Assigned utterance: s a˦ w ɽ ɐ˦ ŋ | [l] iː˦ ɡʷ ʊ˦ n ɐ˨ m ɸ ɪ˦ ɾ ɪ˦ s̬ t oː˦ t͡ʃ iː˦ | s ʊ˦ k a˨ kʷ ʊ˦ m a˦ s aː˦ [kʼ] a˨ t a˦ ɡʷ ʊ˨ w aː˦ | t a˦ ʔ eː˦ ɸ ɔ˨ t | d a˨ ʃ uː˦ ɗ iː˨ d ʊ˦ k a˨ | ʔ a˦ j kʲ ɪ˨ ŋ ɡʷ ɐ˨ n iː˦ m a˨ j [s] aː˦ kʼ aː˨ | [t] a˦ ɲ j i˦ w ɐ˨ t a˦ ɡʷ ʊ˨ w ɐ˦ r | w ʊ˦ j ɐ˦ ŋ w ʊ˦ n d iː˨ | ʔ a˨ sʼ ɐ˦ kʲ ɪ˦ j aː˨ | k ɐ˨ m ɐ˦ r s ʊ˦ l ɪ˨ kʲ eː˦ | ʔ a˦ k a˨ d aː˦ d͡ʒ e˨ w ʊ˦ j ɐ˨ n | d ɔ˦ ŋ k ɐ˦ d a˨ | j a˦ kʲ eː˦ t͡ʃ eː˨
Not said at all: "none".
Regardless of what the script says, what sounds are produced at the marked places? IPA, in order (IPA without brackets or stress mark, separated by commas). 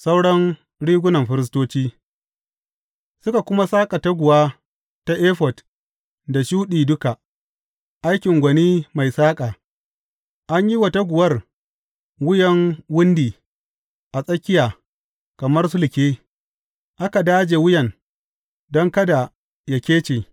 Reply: ɽ, kʼ, s, ʔ